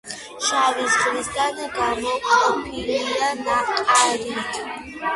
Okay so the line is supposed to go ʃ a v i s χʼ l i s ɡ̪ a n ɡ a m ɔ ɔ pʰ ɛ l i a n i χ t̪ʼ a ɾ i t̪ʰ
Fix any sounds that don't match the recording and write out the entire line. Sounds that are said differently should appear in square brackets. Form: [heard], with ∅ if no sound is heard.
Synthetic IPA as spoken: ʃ a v i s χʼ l i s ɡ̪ a n ɡ a m ɔ ɔ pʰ [i] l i a n [a] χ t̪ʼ a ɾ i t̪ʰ